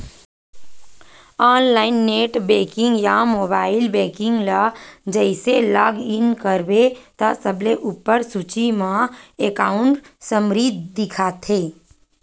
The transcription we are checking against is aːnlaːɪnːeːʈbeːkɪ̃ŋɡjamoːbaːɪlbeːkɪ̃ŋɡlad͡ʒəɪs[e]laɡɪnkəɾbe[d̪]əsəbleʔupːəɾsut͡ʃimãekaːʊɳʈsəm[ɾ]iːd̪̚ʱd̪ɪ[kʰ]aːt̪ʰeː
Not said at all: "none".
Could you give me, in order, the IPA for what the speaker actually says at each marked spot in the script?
e, t̪, ɾ, kʰ

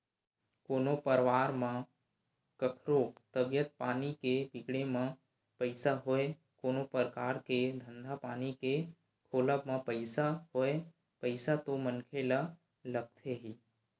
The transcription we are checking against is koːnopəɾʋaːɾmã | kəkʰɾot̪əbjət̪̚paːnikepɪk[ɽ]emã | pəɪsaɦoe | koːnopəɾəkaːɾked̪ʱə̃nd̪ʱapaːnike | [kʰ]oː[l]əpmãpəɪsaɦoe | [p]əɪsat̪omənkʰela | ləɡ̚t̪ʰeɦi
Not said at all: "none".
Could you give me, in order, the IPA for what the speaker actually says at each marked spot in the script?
ɽ, kʰ, l, p

